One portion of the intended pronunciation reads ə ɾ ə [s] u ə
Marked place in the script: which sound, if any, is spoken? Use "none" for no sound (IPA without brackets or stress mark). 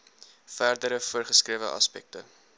f